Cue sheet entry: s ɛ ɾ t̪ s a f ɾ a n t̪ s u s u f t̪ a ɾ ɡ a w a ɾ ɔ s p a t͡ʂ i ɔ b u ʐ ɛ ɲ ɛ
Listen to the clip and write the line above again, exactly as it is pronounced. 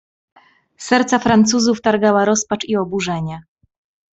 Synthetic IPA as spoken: s ɛ ɾ t̪ s a f ɾ a n t̪ s u z u f t̪ a ɾ ɡ a w a ɾ ɔ s p a t͡ʂ i ɔ b u ʐ ɛ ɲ ɛ

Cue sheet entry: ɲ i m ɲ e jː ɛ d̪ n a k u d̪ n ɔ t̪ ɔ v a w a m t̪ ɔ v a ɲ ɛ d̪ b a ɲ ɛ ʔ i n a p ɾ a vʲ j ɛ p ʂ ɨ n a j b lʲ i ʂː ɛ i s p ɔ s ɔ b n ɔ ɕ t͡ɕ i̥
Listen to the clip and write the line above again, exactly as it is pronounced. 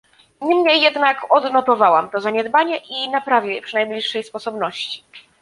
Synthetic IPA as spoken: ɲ i m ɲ e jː ɛ d̪ n a k ɔ d̪ n ɔ t̪ ɔ v a w a m t̪ ɔ z a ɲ ɛ d̪ b a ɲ ɛ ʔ i n a p ɾ a vʲ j ɛ p ʂ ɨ n a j b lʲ i ʂː ɛ j s p ɔ s ɔ b n ɔ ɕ t͡ɕ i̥

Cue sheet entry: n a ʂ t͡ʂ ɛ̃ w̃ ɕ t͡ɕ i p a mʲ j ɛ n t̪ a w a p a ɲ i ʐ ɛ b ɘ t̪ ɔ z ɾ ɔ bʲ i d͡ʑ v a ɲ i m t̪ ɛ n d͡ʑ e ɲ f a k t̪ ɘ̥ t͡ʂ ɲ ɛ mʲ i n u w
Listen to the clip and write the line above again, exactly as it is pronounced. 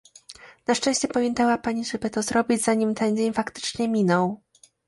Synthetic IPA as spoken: n a ʂ t͡ʂ ɛ̃ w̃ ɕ t͡ɕ ɛ p a mʲ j ɛ n t̪ a w a p a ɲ i ʐ ɛ b ɘ t̪ ɔ z ɾ ɔ bʲ i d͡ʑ z a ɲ i m t̪ ɛ n d͡ʑ e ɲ f a k t̪ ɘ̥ t͡ʂ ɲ ɛ mʲ i n ɔ w

